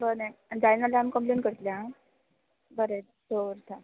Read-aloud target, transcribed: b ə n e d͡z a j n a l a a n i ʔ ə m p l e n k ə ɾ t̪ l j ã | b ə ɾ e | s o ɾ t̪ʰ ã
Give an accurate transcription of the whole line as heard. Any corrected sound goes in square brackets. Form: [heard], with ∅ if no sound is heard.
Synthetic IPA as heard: b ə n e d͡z a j n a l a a [m] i [k] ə m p l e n k ə ɾ t̪ l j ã | b ə ɾ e | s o ɾ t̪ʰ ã